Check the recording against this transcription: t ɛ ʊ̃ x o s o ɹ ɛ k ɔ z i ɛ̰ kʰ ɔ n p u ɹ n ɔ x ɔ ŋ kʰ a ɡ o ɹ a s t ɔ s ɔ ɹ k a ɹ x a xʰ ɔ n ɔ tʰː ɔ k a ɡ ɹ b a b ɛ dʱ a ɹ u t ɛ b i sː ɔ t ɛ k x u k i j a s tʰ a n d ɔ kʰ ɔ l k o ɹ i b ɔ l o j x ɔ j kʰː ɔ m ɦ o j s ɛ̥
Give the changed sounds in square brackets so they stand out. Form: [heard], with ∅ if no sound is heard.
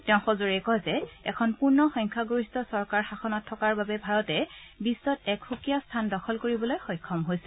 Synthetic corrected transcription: t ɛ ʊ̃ x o [z] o ɹ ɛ k ɔ z [ɛ] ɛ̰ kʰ ɔ n p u ɹ n ɔ x ɔ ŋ kʰ a ɡ o ɹ [i] s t ɔ s ɔ ɹ k a ɹ x a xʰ ɔ n ɔ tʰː ɔ k a [∅] ɹ b a b ɛ [bʱ] a ɹ [ɔ] t ɛ b i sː ɔ t ɛ k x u k i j a s tʰ a n d ɔ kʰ ɔ l k o ɹ i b ɔ l o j x ɔ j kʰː ɔ m ɦ o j s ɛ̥